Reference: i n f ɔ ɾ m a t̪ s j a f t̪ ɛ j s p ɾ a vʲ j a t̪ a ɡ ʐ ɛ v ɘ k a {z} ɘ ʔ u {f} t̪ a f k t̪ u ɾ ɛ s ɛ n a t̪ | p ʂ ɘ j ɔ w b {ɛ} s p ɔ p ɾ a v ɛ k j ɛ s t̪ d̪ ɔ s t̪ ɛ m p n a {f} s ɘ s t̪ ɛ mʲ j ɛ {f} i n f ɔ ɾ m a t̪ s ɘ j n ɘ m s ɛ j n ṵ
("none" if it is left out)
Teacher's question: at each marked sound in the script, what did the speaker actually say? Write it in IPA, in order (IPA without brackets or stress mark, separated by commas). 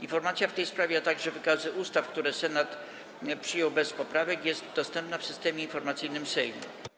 z, s, ɛ, f, none